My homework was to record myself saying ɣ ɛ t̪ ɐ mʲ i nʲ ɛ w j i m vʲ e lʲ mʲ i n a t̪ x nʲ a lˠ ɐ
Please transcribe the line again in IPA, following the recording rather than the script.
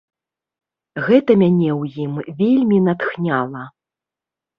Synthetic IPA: ɣ ɛ t̪ ɐ mʲ a nʲ ɛ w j i m vʲ e lʲ mʲ i n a t̪ x nʲ a lˠ ɐ